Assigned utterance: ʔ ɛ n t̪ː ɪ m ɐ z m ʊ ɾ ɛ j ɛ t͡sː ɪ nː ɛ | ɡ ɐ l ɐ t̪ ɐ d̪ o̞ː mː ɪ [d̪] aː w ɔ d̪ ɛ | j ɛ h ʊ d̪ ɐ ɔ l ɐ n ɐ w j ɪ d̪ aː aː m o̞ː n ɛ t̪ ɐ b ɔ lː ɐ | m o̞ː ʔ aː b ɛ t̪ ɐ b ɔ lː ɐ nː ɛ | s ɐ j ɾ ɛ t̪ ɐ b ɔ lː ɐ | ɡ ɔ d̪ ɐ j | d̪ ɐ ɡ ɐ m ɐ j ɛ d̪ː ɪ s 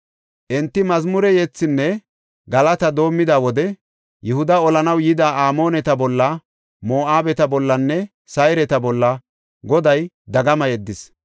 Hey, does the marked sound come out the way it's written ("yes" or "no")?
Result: yes